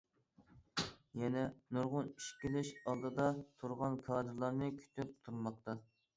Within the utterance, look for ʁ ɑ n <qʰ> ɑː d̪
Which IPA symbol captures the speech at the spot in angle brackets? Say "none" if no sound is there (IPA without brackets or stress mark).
kʰ